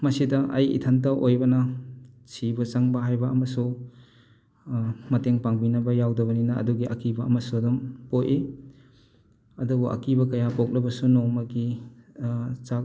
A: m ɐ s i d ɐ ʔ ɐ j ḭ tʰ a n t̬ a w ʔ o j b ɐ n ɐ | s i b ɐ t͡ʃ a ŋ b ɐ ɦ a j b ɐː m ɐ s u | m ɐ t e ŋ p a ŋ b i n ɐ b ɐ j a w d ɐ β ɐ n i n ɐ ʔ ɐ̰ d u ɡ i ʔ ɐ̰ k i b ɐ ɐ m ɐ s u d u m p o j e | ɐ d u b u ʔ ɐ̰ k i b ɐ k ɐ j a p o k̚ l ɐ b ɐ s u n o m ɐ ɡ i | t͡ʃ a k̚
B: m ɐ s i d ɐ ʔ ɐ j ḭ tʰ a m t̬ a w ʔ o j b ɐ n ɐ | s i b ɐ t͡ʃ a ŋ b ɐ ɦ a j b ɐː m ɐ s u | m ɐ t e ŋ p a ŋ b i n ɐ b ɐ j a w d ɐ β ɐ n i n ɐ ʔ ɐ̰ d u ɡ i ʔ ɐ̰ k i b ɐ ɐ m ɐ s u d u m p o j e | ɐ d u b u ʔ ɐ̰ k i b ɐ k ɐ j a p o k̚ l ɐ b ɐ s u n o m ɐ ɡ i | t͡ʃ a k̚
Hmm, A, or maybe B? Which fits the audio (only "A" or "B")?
A